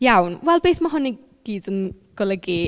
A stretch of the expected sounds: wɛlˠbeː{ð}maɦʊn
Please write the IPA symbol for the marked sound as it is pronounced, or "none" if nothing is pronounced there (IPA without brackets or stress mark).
θ